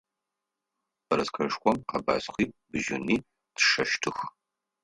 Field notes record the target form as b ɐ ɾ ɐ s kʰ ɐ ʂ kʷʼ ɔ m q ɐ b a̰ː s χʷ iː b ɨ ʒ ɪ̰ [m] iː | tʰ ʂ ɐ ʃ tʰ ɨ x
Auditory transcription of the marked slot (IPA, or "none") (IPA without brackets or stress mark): n